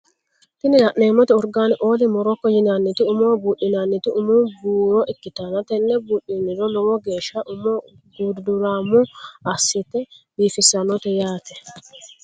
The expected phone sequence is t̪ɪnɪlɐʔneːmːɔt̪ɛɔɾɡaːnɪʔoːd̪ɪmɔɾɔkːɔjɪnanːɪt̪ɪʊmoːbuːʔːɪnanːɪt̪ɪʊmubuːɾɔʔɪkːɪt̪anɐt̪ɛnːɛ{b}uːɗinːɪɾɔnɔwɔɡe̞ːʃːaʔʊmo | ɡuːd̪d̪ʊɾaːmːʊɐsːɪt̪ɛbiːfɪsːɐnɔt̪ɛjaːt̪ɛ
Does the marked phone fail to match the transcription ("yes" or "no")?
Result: no